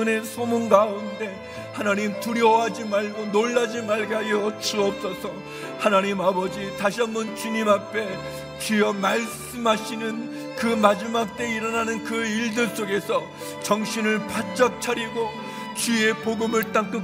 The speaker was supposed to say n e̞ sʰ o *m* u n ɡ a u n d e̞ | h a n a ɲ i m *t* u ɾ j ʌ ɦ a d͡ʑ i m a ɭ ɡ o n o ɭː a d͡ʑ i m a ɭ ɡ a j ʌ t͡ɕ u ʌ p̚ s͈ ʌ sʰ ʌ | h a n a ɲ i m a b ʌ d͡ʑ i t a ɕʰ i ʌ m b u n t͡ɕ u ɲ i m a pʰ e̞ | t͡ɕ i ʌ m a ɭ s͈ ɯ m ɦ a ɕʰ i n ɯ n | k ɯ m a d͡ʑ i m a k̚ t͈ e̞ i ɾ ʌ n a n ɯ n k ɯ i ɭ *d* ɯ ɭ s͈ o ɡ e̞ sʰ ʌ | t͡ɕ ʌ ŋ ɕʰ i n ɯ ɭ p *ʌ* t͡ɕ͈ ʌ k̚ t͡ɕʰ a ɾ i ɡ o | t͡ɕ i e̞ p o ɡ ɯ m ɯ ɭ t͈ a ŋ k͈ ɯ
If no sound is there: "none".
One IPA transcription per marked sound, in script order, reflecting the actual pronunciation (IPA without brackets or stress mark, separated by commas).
m, t, d, a